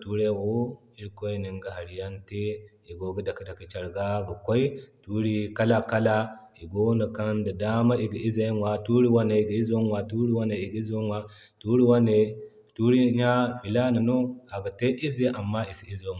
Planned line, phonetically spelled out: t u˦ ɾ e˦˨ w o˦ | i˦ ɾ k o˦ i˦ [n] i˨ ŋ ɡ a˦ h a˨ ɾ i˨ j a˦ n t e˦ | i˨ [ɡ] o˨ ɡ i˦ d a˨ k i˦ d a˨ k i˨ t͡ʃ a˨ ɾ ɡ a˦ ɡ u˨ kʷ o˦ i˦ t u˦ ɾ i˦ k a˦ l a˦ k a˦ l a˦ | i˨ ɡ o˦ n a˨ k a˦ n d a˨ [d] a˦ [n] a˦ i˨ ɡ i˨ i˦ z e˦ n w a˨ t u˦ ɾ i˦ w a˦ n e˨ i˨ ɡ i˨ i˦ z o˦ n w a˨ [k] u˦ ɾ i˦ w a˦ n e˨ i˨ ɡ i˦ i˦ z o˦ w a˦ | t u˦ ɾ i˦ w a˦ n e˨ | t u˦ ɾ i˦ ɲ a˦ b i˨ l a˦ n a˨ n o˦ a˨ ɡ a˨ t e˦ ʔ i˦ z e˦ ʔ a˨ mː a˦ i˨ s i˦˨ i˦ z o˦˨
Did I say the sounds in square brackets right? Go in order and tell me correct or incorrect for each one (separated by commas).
correct, correct, correct, incorrect, incorrect